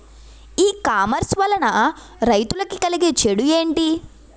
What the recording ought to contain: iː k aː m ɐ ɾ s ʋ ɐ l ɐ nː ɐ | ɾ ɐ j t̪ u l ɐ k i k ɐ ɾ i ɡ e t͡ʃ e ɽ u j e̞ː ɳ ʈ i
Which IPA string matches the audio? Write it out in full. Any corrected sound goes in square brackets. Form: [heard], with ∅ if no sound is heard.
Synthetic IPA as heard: iː k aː m ɐ ɾ s ʋ ɐ l ɐ [n] ɐ | ɾ ɐ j t̪ u l ɐ k i k ɐ [l] i ɡ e t͡ʃ e ɽ u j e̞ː ɳ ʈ i